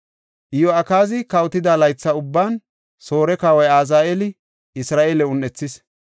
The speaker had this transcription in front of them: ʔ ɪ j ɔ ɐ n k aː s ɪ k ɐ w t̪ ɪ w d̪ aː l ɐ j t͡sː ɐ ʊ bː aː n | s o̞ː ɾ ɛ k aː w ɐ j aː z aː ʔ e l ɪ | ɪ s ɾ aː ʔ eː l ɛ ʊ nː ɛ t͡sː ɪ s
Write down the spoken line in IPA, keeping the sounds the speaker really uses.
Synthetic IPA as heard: ʔ ɪ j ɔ ɐ k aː z ɪ k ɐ w t̪ ɪ d̪ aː l ɐ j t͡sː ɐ ʊ bː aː n | s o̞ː ɾ ɛ k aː w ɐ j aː z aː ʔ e l ɪ | ɪ s ɾ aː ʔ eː l ɛ ʊ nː ɛ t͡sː ɪ s